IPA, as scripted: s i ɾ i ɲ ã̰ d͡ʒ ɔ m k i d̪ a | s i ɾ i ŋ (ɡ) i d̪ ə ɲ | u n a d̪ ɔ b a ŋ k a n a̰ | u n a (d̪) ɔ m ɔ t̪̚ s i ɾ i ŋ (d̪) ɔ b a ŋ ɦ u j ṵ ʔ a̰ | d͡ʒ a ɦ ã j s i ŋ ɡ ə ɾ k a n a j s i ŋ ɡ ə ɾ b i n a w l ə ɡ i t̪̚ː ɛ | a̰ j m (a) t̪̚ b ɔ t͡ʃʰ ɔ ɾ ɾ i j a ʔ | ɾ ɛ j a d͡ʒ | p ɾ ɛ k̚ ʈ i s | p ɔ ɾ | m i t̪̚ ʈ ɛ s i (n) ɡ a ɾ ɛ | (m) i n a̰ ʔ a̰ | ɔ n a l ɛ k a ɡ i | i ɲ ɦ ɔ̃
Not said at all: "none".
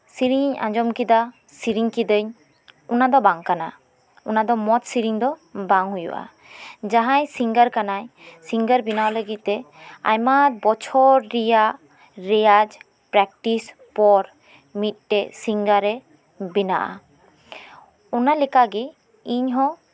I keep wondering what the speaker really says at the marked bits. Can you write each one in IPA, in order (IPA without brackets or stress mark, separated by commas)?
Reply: k, d̪, d̪, a, ŋ, b